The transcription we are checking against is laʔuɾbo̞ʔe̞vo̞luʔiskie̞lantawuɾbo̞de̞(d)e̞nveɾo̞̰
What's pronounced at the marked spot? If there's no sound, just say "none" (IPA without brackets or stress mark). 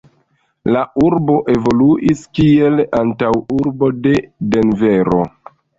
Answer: d